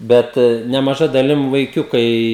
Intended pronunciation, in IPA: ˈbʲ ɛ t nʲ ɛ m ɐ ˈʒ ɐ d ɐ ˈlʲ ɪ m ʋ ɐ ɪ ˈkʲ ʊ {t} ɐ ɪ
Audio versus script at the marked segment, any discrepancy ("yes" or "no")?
yes